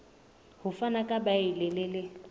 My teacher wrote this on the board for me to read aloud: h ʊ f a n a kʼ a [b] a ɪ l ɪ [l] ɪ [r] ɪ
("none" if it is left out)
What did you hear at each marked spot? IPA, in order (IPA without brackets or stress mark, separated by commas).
b, l, l